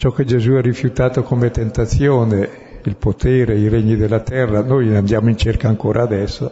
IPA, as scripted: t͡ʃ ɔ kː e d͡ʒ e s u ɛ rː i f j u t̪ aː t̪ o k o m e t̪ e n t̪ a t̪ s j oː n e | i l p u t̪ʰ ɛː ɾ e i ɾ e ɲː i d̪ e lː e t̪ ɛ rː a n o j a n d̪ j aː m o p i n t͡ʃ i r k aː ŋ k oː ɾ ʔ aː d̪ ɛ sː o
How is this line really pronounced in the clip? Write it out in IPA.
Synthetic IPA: t͡ʃ ɔ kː e d͡ʒ e z u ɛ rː i f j u t̪ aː t̪ o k o m e t̪ e n t̪ a t̪ s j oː n e | i l p o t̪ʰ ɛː ɾ e i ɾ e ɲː i d̪ e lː a t̪ ɛ rː a n o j a n d̪ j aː m o i n t͡ʃ e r k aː ŋ k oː ɾ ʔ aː d̪ ɛ sː o